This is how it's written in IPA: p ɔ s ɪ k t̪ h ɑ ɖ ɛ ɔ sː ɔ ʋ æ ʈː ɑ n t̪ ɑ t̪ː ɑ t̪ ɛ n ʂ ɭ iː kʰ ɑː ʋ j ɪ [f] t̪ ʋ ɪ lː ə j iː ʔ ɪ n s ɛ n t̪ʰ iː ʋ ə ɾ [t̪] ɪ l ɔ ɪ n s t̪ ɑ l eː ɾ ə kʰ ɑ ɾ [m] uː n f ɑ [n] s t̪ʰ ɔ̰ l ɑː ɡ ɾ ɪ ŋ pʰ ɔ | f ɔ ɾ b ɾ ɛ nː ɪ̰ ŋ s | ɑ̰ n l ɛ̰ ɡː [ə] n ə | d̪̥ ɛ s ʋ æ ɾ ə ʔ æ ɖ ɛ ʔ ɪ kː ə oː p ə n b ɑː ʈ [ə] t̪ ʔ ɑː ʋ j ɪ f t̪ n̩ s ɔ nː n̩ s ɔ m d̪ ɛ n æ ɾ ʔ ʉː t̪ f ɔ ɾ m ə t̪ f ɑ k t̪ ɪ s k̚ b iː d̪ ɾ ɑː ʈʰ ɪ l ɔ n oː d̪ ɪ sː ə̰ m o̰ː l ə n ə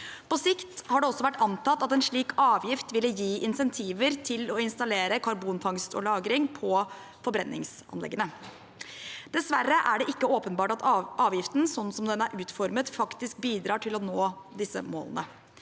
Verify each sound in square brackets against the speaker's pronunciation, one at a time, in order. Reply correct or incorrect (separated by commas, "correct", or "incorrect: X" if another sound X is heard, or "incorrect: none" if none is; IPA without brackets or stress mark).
correct, incorrect: t̪ʰ, incorrect: b, incorrect: ŋ, correct, incorrect: ɑ